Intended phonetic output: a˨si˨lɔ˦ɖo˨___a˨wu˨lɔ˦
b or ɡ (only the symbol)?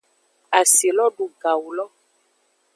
ɡ